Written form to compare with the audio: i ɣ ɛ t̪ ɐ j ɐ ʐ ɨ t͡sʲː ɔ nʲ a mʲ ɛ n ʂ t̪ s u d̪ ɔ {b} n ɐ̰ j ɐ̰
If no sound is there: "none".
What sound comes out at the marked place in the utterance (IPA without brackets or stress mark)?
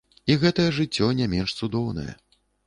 w